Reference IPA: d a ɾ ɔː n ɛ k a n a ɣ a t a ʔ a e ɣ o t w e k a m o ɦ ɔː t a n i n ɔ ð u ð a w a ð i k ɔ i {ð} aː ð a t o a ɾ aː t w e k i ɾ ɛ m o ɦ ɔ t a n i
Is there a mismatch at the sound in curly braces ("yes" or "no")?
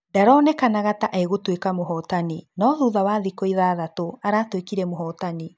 no